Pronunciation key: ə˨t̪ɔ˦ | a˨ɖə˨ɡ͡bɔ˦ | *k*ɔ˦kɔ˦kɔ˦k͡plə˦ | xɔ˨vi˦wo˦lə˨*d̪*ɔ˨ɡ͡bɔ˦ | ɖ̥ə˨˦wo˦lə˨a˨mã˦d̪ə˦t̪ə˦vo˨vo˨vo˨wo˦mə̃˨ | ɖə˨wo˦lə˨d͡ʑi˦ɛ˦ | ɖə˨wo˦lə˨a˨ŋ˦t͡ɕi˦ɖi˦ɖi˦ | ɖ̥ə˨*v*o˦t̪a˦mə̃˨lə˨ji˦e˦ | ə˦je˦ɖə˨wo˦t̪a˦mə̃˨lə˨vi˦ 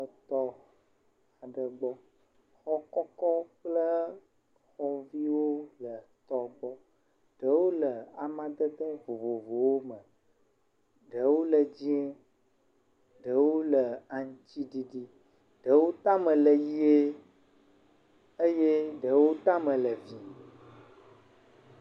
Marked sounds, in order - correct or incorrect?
incorrect, incorrect, incorrect

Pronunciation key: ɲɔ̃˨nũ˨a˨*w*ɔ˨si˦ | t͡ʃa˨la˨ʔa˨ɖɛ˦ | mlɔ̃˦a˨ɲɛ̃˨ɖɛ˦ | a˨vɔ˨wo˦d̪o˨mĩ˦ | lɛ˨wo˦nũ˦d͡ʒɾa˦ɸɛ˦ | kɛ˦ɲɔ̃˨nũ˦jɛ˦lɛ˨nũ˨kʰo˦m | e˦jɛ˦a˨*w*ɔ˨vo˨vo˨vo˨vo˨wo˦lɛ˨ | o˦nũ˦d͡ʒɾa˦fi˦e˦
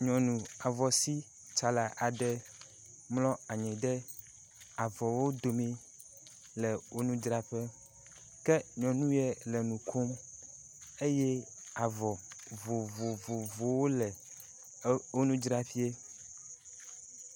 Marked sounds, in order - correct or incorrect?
incorrect, incorrect

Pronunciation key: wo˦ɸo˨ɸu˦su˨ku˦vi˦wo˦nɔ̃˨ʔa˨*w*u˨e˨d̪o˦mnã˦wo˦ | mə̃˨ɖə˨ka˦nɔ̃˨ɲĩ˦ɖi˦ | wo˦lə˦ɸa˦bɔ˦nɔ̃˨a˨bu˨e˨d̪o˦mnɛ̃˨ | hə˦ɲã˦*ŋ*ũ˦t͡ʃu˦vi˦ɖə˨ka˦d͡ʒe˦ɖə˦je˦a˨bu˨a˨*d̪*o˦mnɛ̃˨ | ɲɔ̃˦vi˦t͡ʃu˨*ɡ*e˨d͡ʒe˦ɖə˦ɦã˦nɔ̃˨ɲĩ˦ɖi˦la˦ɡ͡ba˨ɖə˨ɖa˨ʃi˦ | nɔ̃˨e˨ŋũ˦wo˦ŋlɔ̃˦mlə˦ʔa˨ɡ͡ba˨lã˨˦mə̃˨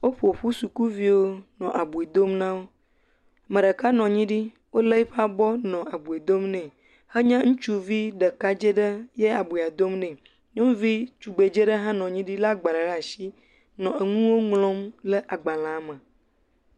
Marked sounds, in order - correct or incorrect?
incorrect, correct, correct, incorrect

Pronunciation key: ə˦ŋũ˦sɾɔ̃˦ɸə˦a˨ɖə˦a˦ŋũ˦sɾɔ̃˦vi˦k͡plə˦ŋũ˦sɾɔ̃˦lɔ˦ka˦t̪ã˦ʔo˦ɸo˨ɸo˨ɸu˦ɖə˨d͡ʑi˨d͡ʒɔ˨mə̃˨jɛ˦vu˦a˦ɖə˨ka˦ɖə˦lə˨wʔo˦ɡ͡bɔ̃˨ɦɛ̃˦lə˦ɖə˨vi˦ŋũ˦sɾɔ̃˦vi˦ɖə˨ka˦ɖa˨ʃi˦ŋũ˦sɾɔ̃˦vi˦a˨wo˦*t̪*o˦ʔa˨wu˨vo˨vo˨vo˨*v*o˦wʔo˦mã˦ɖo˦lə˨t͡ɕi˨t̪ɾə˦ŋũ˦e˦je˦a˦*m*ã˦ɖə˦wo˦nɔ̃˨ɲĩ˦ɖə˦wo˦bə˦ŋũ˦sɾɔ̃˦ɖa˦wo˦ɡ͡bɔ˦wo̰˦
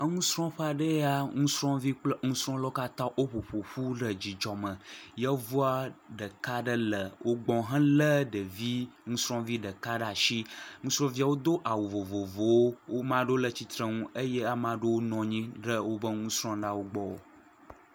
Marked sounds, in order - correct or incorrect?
incorrect, incorrect, correct

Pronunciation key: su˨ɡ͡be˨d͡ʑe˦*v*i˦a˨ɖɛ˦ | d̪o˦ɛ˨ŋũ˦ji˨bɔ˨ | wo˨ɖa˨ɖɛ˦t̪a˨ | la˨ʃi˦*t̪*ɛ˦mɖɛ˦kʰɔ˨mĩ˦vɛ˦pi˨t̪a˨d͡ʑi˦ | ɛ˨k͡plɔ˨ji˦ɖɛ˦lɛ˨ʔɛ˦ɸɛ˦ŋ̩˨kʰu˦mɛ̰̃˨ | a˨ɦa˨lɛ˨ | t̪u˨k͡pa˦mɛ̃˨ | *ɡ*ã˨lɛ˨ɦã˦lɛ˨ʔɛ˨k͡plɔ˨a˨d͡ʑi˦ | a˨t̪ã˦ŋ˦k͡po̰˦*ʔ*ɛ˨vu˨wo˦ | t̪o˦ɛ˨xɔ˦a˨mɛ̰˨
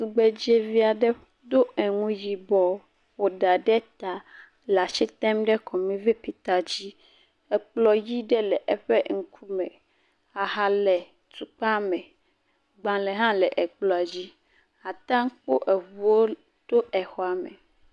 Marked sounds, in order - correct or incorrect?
correct, correct, incorrect, correct

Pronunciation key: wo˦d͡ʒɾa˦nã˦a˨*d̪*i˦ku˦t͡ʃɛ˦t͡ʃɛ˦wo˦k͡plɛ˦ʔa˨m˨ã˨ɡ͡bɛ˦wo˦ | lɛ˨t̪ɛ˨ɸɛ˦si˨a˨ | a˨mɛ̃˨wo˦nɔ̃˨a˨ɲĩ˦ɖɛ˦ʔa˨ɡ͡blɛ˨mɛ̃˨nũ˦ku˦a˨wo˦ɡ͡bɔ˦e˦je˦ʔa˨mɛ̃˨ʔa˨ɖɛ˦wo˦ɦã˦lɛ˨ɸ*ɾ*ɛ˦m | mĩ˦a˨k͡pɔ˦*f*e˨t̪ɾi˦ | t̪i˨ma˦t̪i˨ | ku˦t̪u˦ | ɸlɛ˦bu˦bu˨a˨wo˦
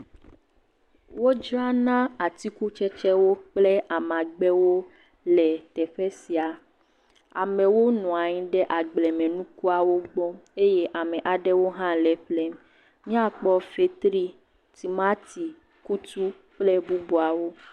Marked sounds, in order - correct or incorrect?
incorrect, incorrect, correct

